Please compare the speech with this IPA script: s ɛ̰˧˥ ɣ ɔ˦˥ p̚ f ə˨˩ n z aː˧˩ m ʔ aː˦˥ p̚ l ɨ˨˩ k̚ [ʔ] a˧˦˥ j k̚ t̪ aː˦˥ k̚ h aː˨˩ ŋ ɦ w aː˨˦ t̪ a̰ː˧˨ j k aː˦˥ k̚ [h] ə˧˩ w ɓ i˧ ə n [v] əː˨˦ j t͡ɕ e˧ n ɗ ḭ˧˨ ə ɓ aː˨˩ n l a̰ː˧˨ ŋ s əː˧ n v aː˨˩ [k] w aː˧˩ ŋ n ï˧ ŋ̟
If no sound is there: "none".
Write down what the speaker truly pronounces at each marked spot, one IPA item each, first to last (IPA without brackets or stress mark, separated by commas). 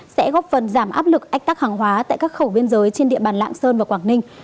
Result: ʔ, x, z, k